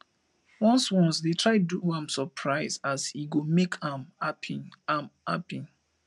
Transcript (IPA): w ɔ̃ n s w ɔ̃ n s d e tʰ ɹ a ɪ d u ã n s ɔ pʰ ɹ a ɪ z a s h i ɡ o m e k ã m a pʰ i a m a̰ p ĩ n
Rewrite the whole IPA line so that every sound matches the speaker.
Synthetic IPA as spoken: w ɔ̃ n s w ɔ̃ n s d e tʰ ɹ a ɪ d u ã m s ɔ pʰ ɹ a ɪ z a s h i ɡ o m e k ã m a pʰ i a m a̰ p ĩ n